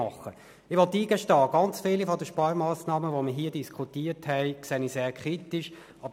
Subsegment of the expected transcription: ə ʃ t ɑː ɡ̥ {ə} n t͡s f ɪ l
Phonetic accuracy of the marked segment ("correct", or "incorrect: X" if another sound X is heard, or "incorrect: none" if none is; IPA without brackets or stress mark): incorrect: ɑ